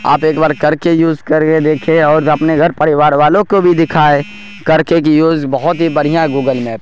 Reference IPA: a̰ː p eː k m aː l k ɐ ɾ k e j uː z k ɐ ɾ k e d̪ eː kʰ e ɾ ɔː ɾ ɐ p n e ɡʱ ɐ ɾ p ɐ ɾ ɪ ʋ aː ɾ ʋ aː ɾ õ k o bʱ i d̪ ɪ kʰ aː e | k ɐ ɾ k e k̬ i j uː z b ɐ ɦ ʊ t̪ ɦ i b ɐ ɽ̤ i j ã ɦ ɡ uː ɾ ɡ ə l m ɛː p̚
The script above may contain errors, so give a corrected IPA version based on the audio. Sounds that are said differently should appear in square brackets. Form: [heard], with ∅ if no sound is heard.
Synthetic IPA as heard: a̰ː p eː k [b] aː [ɾ] k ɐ ɾ k e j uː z k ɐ ɾ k e d̪ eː kʰ e [∅] ɔː ɾ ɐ p n e ɡʱ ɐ ɾ p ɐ ɾ ɪ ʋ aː ɾ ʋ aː [l] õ k o bʱ i d̪ ɪ kʰ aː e | k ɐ ɾ k e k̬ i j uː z b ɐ ɦ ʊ t̪ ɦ i b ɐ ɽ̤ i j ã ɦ ɡ uː [∅] ɡ ə l m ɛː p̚